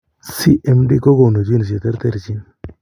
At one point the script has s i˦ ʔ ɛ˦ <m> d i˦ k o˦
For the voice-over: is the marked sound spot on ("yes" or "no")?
yes